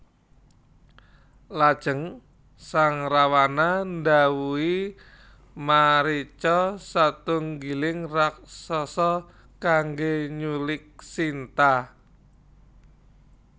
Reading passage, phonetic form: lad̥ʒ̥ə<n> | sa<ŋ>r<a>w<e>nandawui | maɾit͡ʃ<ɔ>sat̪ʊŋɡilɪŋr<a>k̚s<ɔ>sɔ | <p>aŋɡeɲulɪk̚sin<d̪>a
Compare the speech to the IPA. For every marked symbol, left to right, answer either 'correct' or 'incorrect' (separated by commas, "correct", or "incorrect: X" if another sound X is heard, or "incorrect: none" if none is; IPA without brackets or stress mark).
incorrect: ŋ, correct, correct, incorrect: a, correct, correct, correct, incorrect: k, incorrect: t̪